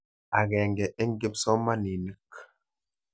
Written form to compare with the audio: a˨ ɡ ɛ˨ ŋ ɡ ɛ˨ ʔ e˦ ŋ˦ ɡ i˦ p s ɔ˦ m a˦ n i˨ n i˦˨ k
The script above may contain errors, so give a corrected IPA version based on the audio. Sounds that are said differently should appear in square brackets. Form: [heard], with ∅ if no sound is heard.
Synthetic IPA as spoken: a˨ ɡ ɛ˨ ŋ ɡ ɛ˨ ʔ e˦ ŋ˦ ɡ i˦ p s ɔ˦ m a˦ n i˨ n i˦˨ k